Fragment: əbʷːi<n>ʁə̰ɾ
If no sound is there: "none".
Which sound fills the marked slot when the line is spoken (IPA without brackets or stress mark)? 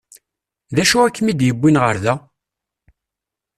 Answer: n